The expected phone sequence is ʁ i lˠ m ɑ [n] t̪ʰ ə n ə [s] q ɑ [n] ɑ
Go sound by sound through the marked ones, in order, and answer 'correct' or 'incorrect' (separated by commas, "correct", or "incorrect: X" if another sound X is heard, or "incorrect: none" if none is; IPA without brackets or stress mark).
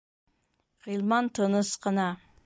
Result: correct, correct, correct